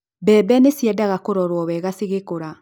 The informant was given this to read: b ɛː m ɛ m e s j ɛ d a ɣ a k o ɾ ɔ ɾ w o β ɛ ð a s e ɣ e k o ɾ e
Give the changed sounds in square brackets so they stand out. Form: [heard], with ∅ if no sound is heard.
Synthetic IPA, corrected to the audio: b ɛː [b] ɛ [n] e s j ɛ d a ɣ a k o ɾ ɔ ɾ w [ɔ] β ɛ [ɣ] a s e ɣ e k o ɾ [a]